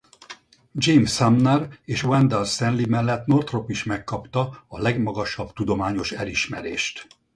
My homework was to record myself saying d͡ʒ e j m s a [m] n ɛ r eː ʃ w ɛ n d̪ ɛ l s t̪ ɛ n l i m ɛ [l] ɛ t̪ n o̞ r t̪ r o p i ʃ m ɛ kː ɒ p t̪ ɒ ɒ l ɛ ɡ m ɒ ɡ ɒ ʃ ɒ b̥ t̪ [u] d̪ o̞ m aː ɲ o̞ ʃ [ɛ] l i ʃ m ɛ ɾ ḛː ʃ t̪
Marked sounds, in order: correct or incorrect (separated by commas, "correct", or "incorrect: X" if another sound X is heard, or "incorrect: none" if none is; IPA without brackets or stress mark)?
correct, incorrect: lː, correct, correct